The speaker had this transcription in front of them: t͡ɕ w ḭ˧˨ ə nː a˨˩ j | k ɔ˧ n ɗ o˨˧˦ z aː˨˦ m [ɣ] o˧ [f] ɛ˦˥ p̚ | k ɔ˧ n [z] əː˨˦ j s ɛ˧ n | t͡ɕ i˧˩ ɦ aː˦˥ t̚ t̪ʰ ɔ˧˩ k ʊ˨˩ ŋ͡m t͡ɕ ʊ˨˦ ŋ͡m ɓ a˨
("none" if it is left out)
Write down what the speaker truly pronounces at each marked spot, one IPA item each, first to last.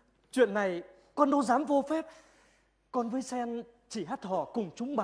v, f, v

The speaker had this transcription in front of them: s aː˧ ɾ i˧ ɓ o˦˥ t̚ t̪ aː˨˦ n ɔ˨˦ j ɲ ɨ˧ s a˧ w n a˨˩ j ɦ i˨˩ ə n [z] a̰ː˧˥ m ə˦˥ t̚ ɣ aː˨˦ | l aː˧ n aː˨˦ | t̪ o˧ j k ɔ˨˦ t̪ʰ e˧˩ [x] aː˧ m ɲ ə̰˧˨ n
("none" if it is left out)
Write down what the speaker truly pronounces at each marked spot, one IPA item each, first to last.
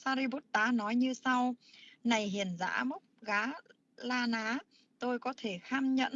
z, x

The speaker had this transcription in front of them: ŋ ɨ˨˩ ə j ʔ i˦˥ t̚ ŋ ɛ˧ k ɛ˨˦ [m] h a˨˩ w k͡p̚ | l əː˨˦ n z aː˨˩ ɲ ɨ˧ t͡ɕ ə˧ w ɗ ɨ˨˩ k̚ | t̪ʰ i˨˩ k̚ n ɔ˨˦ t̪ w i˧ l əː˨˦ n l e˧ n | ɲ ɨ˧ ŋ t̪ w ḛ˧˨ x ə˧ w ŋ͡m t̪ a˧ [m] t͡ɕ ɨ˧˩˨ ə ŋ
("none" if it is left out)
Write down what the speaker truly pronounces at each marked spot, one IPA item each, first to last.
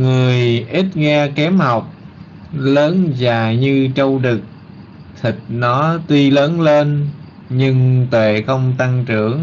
m, ŋ

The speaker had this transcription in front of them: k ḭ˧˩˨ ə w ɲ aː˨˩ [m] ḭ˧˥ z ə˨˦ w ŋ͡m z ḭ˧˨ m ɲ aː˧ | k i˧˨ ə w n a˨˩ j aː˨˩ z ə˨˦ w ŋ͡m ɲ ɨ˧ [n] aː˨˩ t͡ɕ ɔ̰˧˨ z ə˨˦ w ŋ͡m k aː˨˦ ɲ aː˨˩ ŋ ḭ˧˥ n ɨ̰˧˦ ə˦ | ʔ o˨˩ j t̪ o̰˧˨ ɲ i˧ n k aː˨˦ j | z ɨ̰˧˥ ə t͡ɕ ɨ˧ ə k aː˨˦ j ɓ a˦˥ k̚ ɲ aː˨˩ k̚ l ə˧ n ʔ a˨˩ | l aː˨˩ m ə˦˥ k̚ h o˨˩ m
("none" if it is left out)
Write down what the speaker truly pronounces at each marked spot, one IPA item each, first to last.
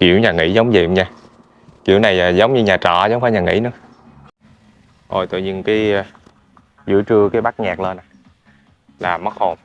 ŋ, ɲ

